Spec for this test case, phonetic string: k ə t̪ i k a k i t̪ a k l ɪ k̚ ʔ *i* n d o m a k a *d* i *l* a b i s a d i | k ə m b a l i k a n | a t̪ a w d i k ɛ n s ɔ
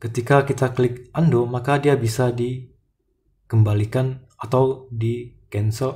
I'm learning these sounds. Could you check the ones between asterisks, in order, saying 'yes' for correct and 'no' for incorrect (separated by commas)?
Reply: no, yes, no